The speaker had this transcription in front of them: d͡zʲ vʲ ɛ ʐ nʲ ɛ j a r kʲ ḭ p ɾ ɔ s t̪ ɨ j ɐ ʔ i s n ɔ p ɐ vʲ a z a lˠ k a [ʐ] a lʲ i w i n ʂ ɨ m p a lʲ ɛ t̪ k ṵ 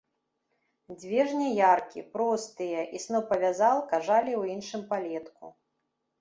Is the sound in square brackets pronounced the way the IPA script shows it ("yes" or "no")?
yes